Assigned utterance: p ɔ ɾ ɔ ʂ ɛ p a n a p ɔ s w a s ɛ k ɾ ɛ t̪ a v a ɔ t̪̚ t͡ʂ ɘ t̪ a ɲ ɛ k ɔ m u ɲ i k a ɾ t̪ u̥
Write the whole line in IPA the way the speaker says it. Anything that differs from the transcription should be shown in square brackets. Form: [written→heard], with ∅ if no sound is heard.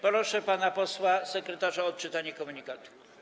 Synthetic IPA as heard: p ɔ ɾ ɔ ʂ ɛ p a n a p ɔ s w a s ɛ k ɾ ɛ t̪ a [v→ʐ] a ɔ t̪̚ t͡ʂ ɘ t̪ a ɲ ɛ k ɔ m u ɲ i k a [ɾ→∅] t̪ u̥